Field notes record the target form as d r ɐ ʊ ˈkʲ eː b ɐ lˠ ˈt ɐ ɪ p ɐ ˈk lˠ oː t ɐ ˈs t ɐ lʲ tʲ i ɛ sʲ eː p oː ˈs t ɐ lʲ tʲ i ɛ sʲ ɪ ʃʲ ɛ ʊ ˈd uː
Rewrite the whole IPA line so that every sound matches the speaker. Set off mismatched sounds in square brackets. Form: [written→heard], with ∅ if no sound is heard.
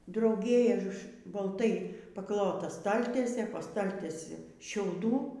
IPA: d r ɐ ʊ [ˈkʲ→ˈɡʲ] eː b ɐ lˠ ˈt ɐ ɪ p ɐ ˈk lˠ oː t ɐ ˈs t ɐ lʲ tʲ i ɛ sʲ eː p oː ˈs t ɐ lʲ tʲ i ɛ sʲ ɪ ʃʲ ɛ ʊ ˈd uː